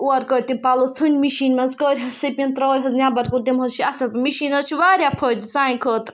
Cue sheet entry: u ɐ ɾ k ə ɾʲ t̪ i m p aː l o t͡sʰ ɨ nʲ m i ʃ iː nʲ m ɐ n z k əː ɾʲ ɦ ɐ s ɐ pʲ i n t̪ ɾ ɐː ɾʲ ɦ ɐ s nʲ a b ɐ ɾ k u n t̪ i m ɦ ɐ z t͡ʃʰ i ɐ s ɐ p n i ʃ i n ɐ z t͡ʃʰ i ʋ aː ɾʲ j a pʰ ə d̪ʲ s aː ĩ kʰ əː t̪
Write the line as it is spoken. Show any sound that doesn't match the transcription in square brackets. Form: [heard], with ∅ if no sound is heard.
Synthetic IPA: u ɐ ɾ k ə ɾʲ t̪ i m p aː l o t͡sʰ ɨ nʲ m i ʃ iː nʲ m ɐ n z k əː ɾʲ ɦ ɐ s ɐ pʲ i n t̪ ɾ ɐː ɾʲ ɦ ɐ [z] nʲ a b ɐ ɾ k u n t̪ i m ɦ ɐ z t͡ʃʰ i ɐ s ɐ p [m] i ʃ i n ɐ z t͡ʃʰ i ʋ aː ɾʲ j a pʰ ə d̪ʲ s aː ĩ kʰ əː t̪